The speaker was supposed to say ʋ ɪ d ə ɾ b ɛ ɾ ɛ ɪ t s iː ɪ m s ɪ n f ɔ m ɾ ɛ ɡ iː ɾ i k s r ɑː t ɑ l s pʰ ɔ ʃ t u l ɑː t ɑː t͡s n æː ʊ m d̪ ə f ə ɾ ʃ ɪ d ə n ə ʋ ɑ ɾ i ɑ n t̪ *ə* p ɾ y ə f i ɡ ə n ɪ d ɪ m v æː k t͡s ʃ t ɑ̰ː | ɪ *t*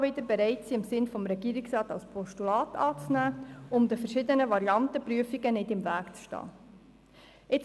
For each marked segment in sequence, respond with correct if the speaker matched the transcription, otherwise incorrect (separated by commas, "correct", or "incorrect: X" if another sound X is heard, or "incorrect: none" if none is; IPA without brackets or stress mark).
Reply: correct, incorrect: t͡s